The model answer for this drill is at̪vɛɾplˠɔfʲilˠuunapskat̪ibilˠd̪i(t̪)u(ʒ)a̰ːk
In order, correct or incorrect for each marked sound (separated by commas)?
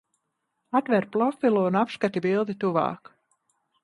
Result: correct, incorrect